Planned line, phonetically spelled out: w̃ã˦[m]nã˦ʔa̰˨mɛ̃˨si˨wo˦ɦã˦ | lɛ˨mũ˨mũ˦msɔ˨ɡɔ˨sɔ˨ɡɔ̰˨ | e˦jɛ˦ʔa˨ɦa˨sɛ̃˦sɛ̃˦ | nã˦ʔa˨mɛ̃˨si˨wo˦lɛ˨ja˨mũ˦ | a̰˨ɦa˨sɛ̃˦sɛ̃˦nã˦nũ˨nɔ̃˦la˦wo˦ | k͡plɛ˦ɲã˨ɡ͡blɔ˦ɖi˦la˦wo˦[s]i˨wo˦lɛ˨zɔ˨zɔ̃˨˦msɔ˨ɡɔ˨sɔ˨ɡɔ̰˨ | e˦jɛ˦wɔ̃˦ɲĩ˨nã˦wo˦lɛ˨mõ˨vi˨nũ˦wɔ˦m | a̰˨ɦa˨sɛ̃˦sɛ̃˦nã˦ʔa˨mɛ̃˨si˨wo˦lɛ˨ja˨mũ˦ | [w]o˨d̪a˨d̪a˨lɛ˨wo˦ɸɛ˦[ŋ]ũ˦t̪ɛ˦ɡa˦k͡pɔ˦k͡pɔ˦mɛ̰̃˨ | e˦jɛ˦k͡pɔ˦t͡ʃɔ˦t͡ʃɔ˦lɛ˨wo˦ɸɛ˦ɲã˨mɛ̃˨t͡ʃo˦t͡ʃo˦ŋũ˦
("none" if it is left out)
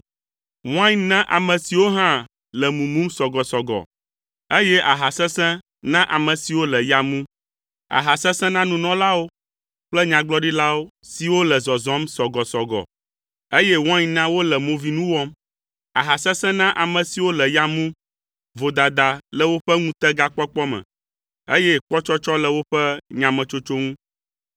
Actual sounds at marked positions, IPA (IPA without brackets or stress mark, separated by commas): ɲ, s, v, ŋ